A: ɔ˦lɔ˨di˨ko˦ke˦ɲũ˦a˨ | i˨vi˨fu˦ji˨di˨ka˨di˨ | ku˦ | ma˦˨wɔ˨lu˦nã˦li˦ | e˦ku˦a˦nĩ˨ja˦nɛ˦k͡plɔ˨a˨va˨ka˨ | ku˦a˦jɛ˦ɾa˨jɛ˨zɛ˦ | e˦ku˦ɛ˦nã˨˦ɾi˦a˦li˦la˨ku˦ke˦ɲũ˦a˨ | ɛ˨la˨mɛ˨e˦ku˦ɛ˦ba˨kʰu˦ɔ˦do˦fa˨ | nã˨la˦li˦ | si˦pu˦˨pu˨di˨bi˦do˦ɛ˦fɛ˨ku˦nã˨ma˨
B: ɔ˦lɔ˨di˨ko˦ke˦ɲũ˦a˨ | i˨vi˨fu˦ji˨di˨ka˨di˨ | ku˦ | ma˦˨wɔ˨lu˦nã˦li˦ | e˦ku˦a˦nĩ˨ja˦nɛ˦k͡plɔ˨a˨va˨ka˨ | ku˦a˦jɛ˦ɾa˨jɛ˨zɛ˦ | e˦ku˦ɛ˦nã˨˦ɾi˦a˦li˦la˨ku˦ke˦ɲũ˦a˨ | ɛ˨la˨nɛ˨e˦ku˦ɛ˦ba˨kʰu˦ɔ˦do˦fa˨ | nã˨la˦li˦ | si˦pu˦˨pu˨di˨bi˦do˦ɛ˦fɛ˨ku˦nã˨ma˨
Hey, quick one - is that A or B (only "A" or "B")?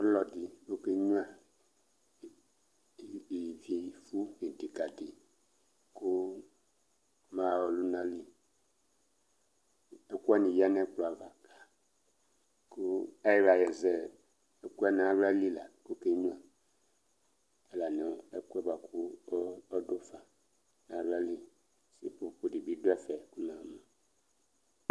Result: B